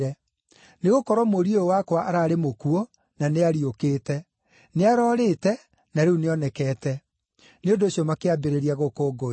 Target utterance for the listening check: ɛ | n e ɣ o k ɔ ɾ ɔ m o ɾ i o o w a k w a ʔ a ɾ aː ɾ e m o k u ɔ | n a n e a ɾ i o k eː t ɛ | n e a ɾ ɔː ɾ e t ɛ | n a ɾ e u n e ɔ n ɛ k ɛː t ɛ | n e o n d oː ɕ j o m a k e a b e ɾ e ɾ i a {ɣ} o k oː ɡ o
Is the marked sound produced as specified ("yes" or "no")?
yes